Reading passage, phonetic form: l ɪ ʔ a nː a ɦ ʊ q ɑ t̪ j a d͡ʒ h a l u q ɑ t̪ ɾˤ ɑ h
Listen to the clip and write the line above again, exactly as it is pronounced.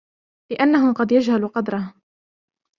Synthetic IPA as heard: l ɪ ʔ a nː a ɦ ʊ q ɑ d̪ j a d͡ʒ h a l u q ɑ d̪ ɾˤ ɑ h